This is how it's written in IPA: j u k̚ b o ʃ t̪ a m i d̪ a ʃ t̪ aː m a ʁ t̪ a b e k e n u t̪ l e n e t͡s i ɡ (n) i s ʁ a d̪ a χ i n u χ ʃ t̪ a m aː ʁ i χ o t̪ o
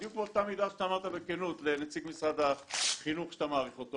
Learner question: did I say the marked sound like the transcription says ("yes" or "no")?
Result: no